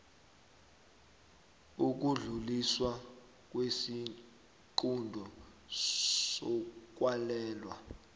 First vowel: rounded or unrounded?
rounded